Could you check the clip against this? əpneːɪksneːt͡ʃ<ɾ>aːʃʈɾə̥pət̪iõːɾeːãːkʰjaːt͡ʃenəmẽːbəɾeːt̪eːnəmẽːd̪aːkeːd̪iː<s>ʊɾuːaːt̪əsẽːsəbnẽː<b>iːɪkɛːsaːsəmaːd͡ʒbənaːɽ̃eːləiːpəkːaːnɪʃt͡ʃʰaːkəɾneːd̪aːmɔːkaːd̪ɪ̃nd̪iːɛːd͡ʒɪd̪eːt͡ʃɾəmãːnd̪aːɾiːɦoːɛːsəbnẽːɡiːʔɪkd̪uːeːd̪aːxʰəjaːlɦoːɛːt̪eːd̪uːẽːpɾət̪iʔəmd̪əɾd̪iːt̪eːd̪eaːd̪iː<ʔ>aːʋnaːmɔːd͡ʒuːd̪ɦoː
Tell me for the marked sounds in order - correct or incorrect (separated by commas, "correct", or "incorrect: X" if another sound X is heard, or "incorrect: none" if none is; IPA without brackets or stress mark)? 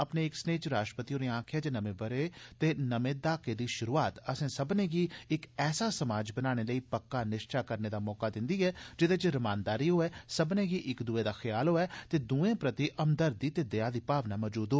correct, incorrect: ʃ, incorrect: ɡ, incorrect: p